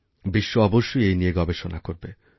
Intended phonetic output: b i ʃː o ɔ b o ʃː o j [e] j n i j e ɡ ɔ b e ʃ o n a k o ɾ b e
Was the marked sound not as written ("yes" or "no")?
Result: no